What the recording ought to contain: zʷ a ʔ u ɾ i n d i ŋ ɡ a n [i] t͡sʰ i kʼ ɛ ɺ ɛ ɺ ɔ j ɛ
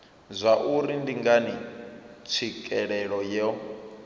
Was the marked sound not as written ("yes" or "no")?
no